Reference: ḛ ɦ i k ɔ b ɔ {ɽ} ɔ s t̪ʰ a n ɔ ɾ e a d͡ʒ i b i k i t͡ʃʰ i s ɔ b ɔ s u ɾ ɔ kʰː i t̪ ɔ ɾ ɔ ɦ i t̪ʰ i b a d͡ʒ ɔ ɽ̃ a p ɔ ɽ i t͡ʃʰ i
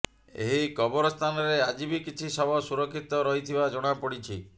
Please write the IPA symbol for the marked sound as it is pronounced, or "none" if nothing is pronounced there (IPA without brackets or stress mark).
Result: ɾ